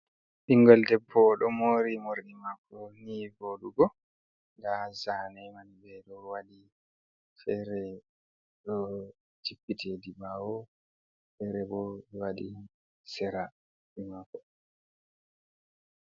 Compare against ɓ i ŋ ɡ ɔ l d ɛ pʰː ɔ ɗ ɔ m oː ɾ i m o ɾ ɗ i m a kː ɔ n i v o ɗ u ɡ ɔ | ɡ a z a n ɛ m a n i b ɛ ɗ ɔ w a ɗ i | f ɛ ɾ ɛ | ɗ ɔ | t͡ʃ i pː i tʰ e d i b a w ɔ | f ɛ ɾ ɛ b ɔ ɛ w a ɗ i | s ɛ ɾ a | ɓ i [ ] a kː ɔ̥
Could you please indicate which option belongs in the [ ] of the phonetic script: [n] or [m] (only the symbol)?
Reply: m